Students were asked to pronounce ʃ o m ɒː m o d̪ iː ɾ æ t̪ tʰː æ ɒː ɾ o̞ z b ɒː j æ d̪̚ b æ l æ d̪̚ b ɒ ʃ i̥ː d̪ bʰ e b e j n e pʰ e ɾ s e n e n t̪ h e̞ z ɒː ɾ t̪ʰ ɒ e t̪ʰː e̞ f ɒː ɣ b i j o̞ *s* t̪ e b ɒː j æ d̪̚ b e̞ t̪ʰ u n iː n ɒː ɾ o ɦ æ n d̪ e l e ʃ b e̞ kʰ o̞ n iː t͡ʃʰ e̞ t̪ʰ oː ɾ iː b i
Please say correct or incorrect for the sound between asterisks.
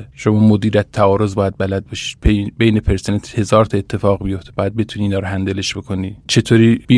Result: incorrect